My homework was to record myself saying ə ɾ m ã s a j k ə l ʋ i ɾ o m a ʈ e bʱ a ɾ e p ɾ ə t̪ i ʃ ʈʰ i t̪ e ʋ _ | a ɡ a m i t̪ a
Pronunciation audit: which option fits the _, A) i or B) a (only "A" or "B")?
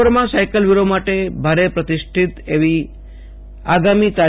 A